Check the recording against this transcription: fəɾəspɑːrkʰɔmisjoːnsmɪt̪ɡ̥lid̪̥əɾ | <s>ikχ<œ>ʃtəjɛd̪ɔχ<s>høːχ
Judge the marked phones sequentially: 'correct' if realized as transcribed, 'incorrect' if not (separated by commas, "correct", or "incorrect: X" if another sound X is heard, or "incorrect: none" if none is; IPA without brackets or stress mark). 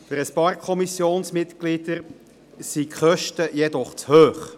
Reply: correct, correct, incorrect: t͡s